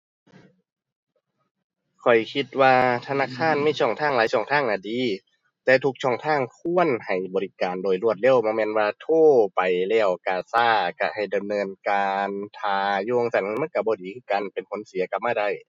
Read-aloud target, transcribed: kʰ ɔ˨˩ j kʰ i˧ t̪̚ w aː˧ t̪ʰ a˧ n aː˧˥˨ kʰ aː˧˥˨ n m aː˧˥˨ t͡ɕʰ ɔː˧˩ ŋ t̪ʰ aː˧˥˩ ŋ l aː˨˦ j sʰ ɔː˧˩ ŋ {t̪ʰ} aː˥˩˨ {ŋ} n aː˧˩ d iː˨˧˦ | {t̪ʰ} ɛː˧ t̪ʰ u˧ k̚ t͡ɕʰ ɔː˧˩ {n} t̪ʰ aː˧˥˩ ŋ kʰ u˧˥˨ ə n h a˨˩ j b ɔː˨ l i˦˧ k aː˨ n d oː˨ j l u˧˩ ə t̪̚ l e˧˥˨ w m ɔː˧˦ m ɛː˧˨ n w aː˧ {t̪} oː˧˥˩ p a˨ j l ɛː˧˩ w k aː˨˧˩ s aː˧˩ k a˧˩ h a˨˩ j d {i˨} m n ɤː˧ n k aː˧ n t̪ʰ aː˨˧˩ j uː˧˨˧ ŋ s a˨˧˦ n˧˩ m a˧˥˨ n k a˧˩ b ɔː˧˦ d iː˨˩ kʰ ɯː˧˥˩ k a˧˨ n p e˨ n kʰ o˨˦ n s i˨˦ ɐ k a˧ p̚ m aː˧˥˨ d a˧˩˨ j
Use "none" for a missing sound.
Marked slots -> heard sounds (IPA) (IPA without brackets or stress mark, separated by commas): t̪ʰ, ŋ, t̪, ŋ, t̪ʰ, a˨